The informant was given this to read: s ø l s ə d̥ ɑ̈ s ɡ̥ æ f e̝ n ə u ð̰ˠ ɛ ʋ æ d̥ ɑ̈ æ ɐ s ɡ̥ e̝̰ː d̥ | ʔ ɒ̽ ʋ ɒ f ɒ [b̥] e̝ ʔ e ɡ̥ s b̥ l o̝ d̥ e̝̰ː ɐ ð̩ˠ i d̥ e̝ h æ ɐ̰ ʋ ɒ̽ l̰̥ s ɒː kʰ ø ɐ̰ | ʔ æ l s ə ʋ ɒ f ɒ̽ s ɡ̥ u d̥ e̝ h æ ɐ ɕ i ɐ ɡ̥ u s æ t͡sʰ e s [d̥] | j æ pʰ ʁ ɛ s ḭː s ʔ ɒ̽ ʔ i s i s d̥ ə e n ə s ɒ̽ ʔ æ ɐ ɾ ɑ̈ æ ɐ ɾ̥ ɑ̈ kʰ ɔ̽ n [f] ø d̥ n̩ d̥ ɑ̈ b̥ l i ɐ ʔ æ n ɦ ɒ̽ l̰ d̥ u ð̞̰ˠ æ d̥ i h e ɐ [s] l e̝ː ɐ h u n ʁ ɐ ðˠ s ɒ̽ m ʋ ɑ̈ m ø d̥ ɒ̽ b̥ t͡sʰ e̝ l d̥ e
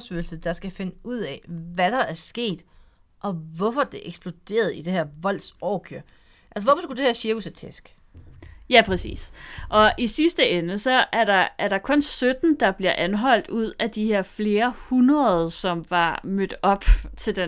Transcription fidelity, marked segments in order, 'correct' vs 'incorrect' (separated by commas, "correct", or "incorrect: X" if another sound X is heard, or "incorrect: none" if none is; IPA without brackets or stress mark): incorrect: d̥, incorrect: ɡ̥, incorrect: s, incorrect: f